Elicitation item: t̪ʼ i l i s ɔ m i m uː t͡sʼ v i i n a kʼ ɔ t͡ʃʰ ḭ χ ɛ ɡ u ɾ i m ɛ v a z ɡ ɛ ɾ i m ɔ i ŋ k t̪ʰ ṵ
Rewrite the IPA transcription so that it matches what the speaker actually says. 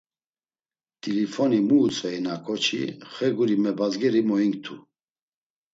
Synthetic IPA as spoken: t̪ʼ i l i f ɔ n i m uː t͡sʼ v ɛ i n a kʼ ɔ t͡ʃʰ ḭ χ ɛ ɡ u ɾ i m ɛ b a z ɡ ɛ ɾ i m ɔ i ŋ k t̪ʰ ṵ